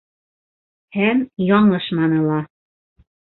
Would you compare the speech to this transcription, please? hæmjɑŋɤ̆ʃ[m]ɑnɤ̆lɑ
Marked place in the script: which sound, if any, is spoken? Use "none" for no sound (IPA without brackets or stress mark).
m